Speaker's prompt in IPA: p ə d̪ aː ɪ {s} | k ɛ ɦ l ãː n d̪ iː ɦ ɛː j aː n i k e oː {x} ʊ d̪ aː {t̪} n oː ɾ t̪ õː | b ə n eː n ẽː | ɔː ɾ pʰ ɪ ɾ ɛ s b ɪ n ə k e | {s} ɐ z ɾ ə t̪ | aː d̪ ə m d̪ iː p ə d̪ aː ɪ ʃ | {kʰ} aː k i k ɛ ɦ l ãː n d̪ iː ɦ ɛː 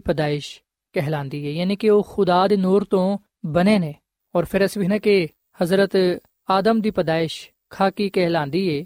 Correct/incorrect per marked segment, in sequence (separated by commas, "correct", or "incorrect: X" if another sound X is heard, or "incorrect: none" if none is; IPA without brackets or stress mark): incorrect: ʃ, correct, incorrect: d̪, incorrect: h, correct